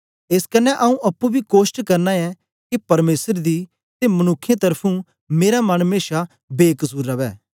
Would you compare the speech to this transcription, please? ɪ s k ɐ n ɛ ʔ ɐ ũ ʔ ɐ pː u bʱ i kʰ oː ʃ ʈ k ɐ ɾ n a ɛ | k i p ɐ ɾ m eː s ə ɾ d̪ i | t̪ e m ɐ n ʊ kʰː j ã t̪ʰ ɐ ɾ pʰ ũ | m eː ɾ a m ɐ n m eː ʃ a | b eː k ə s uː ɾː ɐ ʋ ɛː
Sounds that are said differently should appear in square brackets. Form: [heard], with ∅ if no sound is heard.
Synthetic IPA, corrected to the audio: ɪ s k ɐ n ɛ ʔ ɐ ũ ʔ ɐ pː u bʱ i [k] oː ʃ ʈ k ɐ ɾ n a ɛ | k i p ɐ ɾ m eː s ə ɾ d̪ i | t̪ e m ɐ n ʊ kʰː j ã [t̪] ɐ ɾ pʰ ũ | m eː ɾ a m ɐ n m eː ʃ a | b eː k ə s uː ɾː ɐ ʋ ɛː